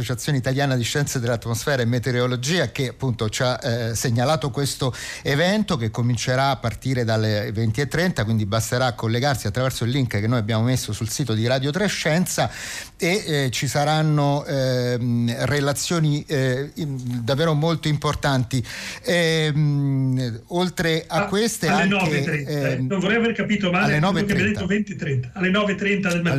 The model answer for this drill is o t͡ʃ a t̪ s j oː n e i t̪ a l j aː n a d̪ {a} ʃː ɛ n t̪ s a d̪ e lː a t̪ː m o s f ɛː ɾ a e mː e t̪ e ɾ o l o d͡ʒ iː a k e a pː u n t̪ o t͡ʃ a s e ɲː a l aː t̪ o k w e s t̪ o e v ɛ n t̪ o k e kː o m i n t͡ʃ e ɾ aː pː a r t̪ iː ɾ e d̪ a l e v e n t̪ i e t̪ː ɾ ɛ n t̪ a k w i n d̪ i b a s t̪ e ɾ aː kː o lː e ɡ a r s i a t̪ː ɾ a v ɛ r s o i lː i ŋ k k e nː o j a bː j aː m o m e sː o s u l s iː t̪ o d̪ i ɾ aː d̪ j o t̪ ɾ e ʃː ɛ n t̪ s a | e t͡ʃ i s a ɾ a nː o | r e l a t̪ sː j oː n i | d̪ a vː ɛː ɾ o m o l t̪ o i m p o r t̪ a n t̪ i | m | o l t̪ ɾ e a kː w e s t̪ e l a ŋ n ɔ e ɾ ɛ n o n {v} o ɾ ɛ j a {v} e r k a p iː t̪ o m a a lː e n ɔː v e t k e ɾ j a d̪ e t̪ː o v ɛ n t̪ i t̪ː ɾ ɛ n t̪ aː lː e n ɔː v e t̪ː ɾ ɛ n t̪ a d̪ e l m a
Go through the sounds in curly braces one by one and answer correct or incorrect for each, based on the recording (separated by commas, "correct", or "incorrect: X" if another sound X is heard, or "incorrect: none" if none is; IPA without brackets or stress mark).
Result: incorrect: i, correct, correct